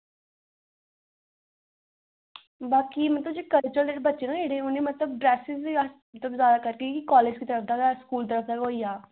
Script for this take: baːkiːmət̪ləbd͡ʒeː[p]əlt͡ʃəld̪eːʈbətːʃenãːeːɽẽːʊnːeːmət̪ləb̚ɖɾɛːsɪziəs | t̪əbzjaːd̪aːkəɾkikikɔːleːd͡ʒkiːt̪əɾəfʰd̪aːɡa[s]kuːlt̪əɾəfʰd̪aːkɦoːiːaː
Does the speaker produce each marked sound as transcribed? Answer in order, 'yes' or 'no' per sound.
no, yes

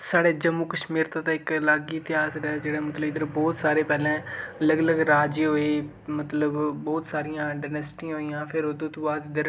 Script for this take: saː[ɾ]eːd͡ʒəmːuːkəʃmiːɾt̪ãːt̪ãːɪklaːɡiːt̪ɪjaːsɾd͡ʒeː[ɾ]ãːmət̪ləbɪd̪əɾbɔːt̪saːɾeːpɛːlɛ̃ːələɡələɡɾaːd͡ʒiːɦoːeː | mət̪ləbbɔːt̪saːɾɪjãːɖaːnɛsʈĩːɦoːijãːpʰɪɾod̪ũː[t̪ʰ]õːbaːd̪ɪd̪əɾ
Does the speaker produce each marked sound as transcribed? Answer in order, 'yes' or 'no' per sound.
no, no, no

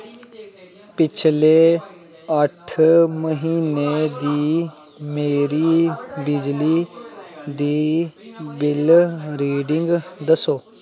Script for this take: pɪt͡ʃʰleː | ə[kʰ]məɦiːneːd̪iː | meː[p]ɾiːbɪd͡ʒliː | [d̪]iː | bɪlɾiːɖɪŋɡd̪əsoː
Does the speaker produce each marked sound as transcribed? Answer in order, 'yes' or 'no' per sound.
no, no, yes

